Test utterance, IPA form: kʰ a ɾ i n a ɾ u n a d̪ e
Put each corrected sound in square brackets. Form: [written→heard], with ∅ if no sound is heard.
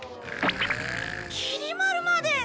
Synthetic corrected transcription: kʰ [a→i] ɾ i [n→m] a ɾ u [n→m] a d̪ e